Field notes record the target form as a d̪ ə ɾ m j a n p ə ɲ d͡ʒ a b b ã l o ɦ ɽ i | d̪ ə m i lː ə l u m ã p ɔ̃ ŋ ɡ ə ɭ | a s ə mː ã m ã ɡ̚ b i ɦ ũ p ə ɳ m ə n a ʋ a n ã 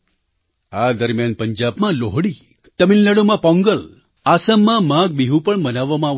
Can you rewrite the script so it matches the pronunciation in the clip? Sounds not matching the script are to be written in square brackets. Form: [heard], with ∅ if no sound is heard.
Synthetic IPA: a d̪ ə ɾ m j a n p ə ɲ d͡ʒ a b [m] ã l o ɦ ɽ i | [t̪] ə m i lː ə [ɽ] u m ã p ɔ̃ ŋ ɡ ə [l] | a s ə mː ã m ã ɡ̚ b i ɦ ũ p ə ɳ m ə n a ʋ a [m] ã